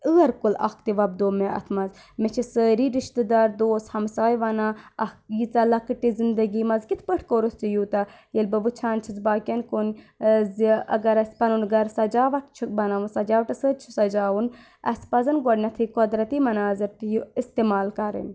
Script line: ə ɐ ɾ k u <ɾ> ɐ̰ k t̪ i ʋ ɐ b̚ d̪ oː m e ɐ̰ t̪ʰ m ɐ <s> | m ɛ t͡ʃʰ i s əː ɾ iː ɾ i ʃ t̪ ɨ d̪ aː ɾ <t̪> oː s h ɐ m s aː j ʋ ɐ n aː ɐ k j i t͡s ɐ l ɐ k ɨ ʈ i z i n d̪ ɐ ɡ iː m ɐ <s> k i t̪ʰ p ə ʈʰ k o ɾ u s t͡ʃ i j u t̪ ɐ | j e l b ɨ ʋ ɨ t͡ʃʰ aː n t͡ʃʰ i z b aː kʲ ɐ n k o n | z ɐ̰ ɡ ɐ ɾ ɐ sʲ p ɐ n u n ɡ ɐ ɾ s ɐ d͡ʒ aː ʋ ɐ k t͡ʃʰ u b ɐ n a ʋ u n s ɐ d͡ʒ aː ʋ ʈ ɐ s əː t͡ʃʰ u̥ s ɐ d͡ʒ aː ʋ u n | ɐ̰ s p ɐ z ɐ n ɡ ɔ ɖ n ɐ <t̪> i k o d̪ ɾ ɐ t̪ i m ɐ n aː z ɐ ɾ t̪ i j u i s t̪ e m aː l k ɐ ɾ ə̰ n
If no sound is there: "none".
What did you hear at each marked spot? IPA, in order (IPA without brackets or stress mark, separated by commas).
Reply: l, z, d̪, z, t̪ʰ